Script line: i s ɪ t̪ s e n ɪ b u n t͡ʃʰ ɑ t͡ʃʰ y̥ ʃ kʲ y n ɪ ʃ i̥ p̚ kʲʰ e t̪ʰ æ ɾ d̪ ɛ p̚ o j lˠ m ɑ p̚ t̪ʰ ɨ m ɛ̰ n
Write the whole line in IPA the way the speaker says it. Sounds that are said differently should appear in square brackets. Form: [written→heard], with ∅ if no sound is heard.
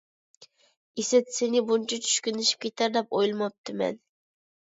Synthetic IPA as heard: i s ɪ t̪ s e n ɪ b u n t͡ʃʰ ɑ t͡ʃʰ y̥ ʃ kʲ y n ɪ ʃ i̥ p̚ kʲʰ e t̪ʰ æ ɾ d̪ ɛ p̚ o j lˠ m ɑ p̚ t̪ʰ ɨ m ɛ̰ n